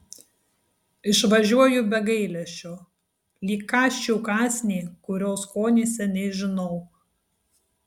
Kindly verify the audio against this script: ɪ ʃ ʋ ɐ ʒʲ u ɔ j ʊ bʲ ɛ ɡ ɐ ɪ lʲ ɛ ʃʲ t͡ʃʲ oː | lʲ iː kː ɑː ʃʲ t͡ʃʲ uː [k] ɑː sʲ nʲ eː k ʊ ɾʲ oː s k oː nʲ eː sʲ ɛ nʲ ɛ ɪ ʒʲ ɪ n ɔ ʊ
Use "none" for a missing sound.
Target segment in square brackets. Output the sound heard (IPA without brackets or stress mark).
k